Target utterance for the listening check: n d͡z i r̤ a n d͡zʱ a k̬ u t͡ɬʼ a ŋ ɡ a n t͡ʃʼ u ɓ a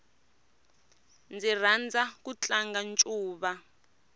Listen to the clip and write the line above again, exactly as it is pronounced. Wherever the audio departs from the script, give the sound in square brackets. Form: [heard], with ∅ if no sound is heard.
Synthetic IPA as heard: n d͡z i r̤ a n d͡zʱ a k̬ u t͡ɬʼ a ŋ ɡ a n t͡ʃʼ [uː] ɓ a